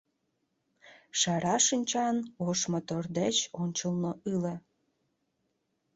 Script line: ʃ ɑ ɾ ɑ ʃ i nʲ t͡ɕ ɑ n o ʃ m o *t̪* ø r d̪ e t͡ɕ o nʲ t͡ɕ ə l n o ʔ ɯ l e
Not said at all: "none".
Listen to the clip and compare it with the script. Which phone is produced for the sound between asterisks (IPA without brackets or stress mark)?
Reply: t̪